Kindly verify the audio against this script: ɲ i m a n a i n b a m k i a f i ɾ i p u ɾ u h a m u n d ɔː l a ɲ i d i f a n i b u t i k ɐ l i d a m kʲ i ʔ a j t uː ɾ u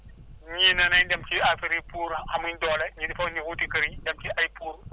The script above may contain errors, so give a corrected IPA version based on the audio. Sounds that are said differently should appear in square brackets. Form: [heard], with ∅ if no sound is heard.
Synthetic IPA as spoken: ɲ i [n] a n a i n [d] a m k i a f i ɾ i p u ɾ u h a m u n d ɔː l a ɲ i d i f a n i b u t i k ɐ [ɾ] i d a m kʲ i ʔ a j [p] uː ɾ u